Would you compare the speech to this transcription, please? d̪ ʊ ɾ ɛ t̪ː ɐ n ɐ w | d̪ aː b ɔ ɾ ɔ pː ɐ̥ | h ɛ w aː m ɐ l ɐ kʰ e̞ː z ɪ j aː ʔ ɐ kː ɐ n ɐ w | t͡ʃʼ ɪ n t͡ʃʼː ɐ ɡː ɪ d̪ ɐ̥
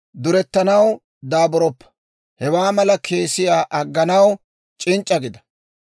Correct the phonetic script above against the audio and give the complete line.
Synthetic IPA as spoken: d̪ ʊ ɾ ɛ t̪ː ɐ n ɐ w | d̪ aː b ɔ ɾ ɔ pː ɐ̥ | h ɛ w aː m ɐ l ɐ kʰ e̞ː s ɪ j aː ʔ ɐ ɡː ɐ n ɐ w | t͡ʃʼ ɪ n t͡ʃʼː ɐ ɡ ɪ d̪ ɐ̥